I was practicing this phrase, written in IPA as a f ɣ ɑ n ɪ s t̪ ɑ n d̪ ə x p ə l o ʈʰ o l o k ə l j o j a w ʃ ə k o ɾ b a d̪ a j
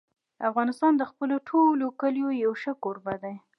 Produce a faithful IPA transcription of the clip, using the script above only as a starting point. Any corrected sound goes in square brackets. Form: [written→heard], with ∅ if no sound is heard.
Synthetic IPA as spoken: a f ɣ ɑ n ɪ s t̪ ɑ n d̪ ə x p ə l o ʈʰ o l o k ə l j o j a w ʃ ə k o ɾ b a d̪ a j